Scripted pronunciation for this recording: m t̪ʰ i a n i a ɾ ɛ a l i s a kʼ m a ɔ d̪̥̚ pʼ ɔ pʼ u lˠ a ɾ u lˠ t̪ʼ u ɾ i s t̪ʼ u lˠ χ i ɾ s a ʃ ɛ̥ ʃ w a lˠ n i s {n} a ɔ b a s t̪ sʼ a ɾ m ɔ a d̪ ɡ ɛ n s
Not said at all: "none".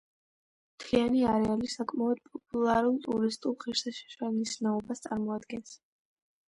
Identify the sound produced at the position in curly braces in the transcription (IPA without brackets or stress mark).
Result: n